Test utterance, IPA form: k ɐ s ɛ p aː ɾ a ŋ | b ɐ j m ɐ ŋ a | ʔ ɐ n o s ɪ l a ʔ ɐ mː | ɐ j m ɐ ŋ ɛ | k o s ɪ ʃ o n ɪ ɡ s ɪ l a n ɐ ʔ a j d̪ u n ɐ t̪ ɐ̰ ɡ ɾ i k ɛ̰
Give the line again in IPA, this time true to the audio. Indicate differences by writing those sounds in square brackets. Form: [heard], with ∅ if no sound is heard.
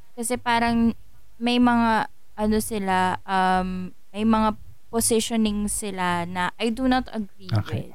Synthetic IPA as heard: k ɐ s ɛ p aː ɾ [ɐ] ŋ | [m] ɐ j m ɐ ŋ a | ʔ ɐ n o s ɪ l a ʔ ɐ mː | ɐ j m ɐ ŋ [a] | [p] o s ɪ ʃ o n ɪ [ŋ] s ɪ l a n ɐ ʔ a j d̪ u n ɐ t̪ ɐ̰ ɡ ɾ i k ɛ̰